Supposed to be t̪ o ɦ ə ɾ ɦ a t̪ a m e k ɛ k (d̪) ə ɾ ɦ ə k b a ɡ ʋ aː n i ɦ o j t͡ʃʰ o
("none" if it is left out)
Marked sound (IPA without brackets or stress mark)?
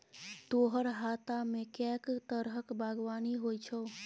t̪